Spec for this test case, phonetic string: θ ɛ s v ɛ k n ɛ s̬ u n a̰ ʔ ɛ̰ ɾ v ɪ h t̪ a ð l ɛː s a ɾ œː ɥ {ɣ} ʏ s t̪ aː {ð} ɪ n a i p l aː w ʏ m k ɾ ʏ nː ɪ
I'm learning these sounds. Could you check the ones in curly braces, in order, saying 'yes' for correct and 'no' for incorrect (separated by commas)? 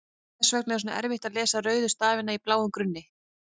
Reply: no, no